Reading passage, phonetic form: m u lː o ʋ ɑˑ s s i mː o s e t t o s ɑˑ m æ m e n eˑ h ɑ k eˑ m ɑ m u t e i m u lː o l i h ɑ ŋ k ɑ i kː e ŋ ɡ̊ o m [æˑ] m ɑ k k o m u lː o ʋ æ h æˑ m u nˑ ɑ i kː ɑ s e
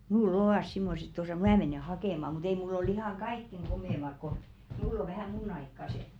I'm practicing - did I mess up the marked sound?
yes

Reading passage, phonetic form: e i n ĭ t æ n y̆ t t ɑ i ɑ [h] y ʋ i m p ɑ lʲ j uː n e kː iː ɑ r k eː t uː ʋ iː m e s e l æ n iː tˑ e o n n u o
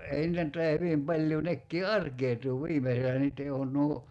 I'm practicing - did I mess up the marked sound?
no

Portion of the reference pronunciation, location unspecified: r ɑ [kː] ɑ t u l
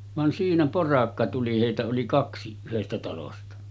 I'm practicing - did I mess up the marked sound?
no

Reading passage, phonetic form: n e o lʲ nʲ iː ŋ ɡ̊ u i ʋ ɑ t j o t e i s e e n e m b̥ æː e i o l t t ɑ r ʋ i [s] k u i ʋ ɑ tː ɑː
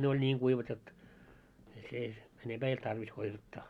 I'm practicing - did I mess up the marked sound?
no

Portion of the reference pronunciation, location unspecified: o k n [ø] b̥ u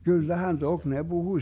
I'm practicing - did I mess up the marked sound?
yes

